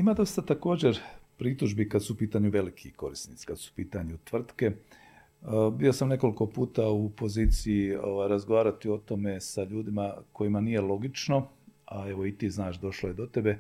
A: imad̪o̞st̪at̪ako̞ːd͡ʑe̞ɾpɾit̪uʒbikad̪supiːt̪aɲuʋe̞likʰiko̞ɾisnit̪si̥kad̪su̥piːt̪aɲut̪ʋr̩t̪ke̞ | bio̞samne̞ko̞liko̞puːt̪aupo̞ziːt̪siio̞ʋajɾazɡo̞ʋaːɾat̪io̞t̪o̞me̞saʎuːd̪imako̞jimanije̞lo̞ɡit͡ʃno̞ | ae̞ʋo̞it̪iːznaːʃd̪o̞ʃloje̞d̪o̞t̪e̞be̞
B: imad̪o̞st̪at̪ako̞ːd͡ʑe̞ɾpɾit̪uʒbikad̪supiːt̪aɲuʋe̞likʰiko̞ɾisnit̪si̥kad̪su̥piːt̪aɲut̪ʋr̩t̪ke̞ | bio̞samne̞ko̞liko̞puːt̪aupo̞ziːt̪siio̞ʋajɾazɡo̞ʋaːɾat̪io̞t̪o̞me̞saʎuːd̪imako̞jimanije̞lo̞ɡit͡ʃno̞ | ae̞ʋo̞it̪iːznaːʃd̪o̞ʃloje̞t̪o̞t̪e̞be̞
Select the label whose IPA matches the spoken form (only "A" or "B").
A